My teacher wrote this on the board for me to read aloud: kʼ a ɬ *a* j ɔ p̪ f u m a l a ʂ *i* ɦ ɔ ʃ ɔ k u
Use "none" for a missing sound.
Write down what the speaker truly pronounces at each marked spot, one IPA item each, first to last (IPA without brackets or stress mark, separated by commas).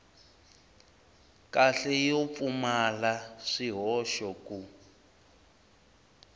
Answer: ɛ, i